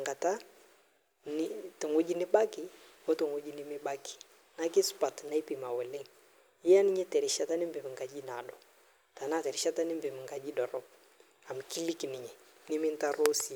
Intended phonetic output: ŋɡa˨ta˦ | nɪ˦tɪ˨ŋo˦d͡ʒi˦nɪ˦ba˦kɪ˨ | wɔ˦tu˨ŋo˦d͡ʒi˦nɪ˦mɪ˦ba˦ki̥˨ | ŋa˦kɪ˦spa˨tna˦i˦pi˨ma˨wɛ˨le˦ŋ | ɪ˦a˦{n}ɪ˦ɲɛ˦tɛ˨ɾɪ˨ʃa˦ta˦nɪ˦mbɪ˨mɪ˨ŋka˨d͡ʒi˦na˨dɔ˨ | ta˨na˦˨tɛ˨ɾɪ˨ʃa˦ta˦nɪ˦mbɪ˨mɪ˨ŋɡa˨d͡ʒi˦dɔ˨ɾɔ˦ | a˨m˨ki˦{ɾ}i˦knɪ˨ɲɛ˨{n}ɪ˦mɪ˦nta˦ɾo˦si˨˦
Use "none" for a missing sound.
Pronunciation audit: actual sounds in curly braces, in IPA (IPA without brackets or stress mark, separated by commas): n, l, n